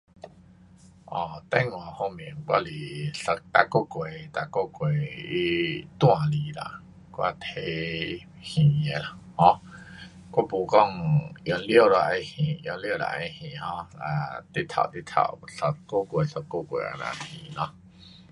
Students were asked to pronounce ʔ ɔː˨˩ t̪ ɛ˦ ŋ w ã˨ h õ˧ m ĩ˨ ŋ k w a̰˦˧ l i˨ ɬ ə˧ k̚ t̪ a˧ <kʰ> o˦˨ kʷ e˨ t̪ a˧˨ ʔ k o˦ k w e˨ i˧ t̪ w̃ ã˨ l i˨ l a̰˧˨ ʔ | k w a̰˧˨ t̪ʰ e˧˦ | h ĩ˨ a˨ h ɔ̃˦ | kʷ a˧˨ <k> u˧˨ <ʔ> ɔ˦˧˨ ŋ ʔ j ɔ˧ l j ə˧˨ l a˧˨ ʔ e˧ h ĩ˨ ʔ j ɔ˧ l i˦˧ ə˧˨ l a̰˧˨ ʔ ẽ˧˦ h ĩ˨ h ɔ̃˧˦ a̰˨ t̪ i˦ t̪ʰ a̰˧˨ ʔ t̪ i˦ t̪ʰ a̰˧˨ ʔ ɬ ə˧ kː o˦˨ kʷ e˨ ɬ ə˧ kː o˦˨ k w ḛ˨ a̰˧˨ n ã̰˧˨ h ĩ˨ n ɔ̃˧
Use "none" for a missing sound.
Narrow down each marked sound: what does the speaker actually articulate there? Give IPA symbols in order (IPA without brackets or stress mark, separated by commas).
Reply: k, p, k